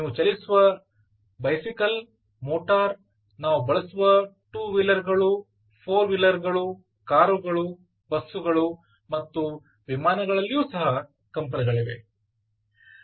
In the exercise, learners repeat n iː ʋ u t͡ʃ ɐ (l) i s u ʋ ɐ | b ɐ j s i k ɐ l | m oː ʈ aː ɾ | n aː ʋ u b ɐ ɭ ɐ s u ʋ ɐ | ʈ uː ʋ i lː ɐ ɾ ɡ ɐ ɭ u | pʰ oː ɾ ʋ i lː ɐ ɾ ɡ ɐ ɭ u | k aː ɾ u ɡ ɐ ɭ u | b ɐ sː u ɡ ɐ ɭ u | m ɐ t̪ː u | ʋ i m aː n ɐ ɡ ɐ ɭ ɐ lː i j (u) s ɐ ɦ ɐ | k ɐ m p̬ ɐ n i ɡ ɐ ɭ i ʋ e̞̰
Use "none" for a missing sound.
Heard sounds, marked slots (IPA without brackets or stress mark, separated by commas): l, uː